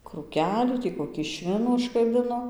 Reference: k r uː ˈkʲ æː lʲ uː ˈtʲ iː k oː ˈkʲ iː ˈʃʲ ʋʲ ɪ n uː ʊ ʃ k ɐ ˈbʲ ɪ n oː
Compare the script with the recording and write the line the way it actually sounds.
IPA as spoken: k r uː ˈkʲ æː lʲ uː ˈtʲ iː k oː ˈkʲ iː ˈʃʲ ʋʲ ɪ n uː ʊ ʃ k ɐ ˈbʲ ɪ n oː